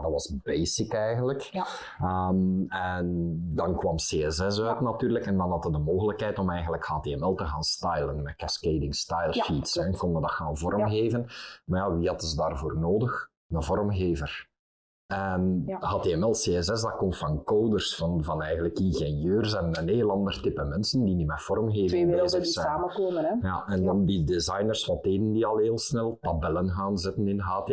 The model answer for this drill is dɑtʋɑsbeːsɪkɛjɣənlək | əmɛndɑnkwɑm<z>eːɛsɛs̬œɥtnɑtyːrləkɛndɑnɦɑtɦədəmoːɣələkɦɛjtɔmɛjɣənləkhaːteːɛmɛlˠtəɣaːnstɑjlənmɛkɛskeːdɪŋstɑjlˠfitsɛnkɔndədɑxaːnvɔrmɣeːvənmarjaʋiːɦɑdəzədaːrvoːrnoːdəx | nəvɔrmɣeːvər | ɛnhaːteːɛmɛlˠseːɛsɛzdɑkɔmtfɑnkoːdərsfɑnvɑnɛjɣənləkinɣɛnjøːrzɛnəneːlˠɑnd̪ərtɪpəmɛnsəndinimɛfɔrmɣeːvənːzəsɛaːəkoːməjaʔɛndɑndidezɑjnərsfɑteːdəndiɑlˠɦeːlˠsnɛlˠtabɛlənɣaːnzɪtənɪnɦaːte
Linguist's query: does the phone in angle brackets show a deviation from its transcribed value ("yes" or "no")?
yes